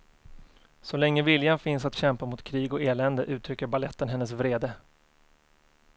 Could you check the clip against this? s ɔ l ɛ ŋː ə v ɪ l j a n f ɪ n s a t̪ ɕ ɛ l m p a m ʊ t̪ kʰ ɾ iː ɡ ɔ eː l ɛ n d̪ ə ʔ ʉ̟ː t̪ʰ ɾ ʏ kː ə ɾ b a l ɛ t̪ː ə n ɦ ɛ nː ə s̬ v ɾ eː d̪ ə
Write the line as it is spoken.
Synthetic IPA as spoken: s ɔ l ɛ ŋː ə v ɪ l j a n f ɪ n s a t̪ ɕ ɛ m p a m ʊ t̪ kʰ ɾ iː ɡ ɔ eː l ɛ n d̪ ə ʔ ʉ̟ː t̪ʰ ɾ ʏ kː ə ɾ b a l ɛ t̪ː ə n ɦ ɛ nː ə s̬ v ɾ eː d̪ ə